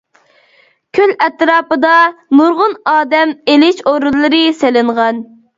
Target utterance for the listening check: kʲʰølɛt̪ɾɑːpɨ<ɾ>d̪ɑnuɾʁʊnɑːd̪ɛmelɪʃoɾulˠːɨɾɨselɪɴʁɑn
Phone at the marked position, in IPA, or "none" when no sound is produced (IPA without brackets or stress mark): none